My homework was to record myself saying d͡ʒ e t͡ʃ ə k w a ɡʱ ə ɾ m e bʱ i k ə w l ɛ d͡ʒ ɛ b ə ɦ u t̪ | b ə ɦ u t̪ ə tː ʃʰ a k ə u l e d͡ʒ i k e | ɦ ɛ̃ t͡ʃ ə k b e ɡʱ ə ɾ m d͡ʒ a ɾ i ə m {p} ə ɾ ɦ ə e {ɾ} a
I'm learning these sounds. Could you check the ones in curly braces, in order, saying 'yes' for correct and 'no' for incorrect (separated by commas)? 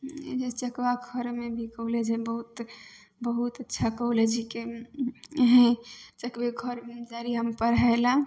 yes, no